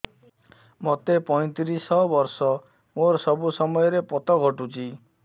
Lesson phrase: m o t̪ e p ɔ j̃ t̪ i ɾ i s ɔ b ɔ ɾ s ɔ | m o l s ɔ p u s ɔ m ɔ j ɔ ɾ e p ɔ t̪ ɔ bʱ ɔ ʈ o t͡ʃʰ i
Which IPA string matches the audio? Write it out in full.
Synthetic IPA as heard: m o t̪ e p ɔ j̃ t̪ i ɾ i s ɔ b ɔ ɾ s ɔ | m o ɾ s ɔ b u s ɔ m ɔ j ɔ ɾ e p ɔ t̪ ɔ ɡʱ ɔ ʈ u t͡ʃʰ i